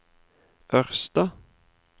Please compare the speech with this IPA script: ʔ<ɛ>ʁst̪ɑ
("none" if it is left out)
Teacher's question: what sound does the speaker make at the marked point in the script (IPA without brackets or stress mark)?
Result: œ